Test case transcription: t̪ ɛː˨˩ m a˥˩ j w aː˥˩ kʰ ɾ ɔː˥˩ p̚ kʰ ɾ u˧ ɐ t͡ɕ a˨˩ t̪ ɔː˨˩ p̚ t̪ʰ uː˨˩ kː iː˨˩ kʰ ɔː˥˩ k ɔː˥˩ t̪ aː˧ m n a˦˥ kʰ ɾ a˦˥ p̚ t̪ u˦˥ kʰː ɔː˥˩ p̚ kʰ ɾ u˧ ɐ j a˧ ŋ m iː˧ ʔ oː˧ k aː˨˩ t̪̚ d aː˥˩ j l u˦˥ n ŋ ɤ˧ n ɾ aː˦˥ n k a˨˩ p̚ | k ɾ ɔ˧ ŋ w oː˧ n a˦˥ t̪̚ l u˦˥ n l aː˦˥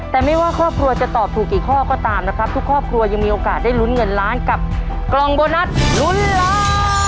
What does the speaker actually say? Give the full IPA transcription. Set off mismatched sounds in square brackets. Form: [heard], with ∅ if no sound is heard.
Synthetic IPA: t̪ ɛː˨˩ m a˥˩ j w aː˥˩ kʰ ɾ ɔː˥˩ p̚ kʰ ɾ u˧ ɐ t͡ɕ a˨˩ t̪ ɔː˨˩ p̚ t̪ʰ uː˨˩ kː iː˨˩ kʰ ɔː˥˩ k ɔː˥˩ t̪ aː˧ m n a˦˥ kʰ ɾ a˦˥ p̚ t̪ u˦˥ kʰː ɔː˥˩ p̚ kʰ ɾ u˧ ɐ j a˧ ŋ m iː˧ ʔ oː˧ k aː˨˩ t̪̚ d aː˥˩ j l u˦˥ n ŋ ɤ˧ n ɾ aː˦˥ n k a˨˩ p̚ | k [l] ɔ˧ ŋ [b] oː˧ n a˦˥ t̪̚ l u˦˥ n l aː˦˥